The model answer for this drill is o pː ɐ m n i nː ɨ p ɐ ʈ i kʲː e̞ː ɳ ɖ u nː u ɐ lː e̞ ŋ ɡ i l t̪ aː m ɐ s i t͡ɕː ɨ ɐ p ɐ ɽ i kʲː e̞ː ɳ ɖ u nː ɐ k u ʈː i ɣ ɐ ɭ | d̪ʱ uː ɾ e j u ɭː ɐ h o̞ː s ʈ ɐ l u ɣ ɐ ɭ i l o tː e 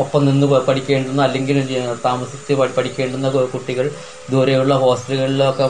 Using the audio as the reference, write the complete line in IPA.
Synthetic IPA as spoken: o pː ɐ m n i nː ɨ p ɐ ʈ i kʲː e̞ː ɳ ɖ u nː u ɐ lː e̞ ŋ ɡ i l t̪ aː m ɐ s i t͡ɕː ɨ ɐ p ɐ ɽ i kʲː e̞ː ɳ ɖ u nː ɐ k u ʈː i ɣ ɐ ɭ | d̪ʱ uː ɾ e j u ɭː ɐ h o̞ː s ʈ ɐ l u ɣ ɐ ɭ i l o kː e